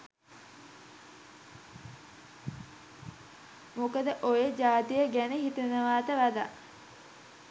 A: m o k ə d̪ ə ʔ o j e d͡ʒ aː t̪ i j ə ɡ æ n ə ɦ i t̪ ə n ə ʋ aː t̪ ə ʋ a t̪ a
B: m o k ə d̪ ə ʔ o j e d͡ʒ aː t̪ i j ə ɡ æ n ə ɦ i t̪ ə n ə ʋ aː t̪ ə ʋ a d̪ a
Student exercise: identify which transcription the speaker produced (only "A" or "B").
B